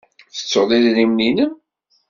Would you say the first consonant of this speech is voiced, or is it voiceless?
voiceless